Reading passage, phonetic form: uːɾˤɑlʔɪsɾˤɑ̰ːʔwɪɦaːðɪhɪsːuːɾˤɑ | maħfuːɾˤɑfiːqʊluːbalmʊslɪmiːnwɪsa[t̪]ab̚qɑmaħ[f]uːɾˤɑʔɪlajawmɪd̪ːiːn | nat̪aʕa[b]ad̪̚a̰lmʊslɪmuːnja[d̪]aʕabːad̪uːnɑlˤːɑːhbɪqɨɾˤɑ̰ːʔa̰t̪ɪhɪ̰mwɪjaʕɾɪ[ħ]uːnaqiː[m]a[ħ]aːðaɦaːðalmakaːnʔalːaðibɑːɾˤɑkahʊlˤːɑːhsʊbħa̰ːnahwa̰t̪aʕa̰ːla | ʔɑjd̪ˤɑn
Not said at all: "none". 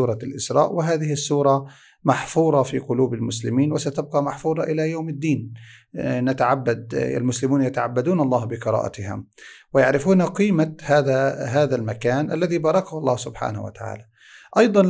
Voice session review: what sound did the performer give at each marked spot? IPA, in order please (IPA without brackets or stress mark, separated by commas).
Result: t̪, f, bː, t̪, f, m, h